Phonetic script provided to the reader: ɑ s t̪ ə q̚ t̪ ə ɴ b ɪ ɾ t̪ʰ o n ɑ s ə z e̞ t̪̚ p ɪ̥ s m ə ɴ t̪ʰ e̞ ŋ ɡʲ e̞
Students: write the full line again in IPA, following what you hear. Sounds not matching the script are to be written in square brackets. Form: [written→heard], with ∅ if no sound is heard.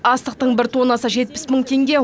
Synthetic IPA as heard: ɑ s t̪ ə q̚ t̪ ə ɴ b ɪ ɾ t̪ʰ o n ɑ s ə [z→ʒ] e̞ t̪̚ p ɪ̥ s m ə ɴ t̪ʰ e̞ ŋ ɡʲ e̞